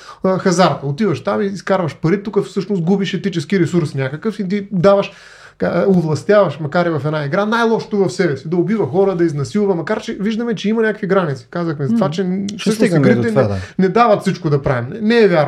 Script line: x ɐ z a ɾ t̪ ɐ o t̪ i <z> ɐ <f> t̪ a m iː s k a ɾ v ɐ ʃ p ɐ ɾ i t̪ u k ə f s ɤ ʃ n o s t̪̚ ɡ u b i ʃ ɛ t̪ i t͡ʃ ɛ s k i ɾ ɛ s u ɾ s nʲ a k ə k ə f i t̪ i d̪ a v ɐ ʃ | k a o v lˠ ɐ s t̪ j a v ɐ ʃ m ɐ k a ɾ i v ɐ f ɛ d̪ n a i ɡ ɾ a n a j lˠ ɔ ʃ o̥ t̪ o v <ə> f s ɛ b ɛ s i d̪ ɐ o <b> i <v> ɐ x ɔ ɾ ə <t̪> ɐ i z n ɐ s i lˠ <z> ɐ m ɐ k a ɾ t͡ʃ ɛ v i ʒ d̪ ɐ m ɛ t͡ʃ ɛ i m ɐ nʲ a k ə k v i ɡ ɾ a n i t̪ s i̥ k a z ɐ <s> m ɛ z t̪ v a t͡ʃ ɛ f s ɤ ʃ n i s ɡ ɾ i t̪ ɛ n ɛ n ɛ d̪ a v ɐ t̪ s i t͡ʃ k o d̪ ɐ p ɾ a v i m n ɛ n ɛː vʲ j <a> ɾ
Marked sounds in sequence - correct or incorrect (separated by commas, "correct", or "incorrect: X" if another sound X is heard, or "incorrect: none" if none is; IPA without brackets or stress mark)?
incorrect: v, incorrect: ʃ, incorrect: ɐ, correct, correct, incorrect: d̪, incorrect: v, incorrect: x, correct